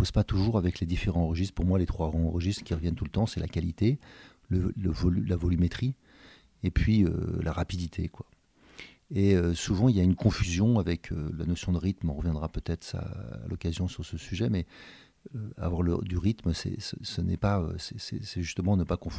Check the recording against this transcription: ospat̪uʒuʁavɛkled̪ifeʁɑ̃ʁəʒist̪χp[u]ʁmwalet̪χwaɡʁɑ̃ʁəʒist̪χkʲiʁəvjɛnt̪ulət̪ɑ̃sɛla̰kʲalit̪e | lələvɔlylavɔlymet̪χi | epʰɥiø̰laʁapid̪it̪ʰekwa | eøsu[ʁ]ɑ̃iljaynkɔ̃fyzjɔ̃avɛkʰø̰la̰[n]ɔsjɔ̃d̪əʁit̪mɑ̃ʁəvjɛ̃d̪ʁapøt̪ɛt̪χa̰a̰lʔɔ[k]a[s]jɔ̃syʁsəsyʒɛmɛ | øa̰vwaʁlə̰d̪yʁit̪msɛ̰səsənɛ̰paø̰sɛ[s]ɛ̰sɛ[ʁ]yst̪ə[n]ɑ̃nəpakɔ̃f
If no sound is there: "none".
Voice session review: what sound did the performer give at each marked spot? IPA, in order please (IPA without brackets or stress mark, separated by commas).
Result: u, v, n, k, z, s, ʒ, m